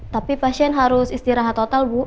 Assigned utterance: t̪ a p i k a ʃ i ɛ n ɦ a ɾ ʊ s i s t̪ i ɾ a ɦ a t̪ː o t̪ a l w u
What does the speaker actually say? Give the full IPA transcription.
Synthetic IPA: t̪ a p i p a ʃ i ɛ n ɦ a ɾ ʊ s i s t̪ i ɾ a ɦ a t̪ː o t̪ a l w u